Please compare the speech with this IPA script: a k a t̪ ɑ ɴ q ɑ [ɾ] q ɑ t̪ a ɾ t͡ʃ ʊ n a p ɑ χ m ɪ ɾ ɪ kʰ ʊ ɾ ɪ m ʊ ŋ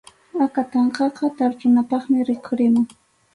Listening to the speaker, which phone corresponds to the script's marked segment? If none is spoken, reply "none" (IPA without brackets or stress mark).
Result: none